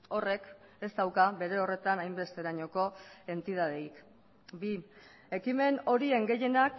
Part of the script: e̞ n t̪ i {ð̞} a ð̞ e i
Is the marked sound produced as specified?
yes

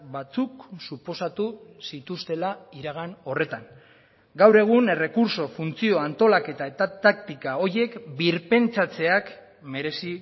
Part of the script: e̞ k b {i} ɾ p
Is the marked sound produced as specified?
yes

